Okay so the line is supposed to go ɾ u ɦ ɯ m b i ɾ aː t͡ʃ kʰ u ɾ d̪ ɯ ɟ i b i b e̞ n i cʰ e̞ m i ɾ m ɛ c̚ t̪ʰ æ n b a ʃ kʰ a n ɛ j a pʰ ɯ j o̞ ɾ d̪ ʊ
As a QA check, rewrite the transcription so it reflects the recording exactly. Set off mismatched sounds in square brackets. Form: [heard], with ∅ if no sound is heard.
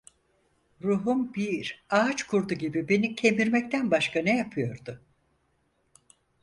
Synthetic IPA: ɾ u ɦ [u] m b i ɾ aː t͡ʃ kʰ u ɾ d̪ [u] ɟ i b i b e̞ n i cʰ e̞ m i ɾ m ɛ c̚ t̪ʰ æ n b a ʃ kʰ a n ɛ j a pʰ ɯ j o̞ ɾ d̪ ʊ